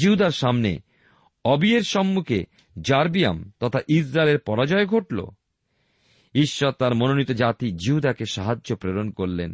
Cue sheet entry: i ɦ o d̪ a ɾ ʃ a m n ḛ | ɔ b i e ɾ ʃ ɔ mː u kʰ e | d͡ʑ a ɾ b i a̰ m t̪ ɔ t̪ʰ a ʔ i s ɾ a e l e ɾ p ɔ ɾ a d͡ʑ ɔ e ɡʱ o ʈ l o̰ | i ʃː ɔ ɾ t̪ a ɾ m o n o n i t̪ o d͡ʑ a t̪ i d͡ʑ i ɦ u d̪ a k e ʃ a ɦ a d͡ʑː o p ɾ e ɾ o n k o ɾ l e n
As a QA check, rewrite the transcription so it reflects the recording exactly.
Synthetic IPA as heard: i ɦ u d̪ a ɾ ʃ a m n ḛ | ɔ b i e ɾ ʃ ɔ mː u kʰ e | d͡ʑ a ɾ b i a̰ m t̪ ɔ t̪ʰ a ʔ i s ɾ a e l e ɾ p ɔ ɾ a d͡ʑ ɔ e ɡʱ o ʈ l o̰ | i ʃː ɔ ɾ t̪ a ɾ m o n o n i t̪ o d͡ʑ a t̪ i d͡ʑ i ɦ u d̪ a k e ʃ a ɦ a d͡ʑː o p ɾ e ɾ o n k o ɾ l e n